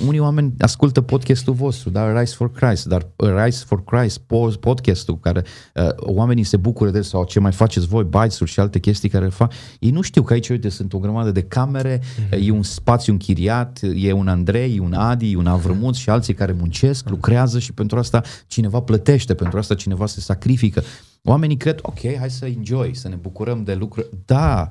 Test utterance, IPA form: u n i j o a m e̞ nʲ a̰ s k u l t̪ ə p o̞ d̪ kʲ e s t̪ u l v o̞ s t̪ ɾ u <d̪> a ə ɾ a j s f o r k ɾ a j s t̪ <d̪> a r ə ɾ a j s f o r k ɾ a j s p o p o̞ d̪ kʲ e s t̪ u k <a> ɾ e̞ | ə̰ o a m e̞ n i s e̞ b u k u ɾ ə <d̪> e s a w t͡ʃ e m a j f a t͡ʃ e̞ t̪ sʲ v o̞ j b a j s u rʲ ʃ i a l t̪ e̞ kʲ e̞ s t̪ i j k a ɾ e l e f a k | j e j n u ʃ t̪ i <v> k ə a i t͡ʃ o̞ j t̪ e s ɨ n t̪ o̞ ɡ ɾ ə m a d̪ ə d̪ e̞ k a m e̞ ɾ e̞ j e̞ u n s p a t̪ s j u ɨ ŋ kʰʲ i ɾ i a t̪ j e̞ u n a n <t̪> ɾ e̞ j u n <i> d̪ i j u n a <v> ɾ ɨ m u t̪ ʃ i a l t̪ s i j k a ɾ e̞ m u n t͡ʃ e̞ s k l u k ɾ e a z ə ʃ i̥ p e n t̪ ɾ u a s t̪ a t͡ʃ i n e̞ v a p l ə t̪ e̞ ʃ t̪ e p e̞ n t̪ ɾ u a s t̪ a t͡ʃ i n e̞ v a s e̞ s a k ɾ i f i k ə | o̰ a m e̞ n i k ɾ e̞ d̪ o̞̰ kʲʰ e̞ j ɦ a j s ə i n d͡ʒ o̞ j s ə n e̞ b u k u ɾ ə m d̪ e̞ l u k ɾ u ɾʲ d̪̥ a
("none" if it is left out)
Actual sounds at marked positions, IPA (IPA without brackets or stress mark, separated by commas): d̪, d̪, a, d̪, w, d̪, a, v